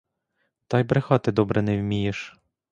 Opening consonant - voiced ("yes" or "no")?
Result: no